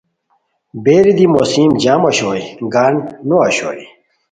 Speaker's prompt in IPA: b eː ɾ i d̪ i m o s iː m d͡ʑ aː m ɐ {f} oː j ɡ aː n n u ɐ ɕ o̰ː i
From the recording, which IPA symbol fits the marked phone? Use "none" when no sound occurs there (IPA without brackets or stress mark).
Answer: ɕ